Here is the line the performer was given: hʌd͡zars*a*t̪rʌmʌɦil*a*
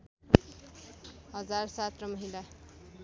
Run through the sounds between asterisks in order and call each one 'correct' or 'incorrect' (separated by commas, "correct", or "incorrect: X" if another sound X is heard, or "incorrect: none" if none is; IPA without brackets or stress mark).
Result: correct, correct